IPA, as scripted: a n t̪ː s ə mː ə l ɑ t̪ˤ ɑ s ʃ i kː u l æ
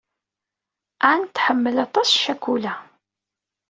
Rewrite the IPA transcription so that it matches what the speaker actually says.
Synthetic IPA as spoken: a n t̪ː ħ ə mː ə l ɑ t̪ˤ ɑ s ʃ æ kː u l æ

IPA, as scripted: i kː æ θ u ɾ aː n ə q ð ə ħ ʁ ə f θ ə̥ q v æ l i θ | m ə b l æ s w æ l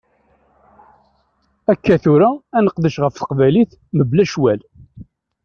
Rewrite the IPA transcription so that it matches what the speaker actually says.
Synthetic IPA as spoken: æ kː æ θ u ɾ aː n ə q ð ə ʃ ʁ ə f θ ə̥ q v æ l i θ | m ə b l æ ʃ w æ l

